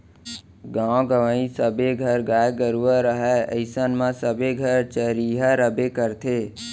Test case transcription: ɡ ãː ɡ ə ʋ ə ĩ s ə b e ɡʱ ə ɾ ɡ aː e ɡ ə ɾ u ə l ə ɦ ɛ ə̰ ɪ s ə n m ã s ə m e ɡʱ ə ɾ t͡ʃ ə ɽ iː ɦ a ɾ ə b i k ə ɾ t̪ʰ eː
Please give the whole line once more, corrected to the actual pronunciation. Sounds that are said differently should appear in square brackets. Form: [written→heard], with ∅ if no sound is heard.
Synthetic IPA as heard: ɡ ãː ɡ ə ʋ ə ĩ s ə b e ɡʱ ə ɾ ɡ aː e ɡ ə ɾ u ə [l→ɾ] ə ɦ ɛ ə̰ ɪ s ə n m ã s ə [m→b] e ɡʱ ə ɾ t͡ʃ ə [ɽ→ɾ] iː ɦ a ɾ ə b [i→e] k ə ɾ t̪ʰ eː